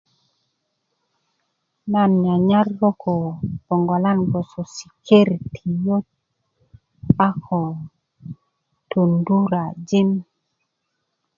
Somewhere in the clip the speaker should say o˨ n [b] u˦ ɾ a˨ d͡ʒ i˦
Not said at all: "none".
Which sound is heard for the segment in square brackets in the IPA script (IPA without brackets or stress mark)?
d